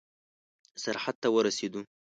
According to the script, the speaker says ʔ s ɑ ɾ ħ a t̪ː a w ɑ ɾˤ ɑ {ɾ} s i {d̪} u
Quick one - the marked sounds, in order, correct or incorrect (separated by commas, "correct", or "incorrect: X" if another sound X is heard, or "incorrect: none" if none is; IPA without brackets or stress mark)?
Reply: incorrect: none, correct